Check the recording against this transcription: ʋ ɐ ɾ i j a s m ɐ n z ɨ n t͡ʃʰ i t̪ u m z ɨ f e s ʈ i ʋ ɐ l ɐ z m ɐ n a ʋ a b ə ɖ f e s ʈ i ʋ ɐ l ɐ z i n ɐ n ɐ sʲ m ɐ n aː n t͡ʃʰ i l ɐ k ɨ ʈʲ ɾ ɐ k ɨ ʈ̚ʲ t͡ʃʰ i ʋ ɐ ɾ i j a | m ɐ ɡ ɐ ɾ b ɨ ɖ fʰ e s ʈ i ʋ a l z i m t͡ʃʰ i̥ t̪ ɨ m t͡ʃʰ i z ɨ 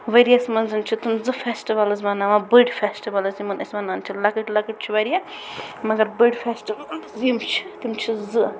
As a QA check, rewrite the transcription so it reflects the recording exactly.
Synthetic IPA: ʋ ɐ ɾ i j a s m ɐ n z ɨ n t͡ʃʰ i t̪ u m z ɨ f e s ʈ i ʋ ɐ l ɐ z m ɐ n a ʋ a b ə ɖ f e s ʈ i ʋ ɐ l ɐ z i m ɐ n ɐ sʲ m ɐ n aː n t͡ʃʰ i l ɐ k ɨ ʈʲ l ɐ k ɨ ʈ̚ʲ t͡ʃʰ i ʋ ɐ ɾ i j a | m ɐ ɡ ɐ ɾ b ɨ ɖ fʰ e s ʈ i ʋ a l z i m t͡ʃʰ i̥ t̪ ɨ m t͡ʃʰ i z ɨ